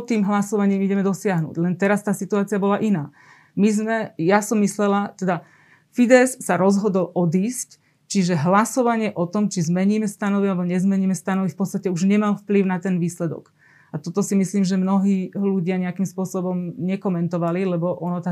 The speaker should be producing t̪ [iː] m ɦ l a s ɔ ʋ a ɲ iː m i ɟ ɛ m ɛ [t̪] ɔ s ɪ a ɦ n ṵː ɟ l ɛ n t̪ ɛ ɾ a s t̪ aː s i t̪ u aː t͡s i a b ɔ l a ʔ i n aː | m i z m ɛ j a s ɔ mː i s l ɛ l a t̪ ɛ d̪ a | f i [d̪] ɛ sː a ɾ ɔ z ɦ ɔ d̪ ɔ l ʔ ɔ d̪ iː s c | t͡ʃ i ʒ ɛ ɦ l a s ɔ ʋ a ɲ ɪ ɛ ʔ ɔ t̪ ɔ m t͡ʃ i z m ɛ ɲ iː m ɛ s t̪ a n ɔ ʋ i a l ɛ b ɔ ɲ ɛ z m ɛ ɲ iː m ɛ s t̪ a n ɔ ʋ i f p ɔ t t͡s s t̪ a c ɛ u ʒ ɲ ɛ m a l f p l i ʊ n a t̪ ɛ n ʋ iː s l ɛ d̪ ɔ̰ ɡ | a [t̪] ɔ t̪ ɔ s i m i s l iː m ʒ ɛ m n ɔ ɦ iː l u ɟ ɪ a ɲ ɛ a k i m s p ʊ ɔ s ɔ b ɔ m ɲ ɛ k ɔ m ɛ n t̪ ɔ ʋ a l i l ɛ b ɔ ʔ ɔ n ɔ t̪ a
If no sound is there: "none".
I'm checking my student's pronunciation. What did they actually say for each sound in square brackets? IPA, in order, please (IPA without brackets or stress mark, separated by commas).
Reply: iː, d̪, d̪, t̪